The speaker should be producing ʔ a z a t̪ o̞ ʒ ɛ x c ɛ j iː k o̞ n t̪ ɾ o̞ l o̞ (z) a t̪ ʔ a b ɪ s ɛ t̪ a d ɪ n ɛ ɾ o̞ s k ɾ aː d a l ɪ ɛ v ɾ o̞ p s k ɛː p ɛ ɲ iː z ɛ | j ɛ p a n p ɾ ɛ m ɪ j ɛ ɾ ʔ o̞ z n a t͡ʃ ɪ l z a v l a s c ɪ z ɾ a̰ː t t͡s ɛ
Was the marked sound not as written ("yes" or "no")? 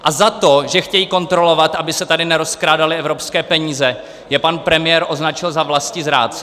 yes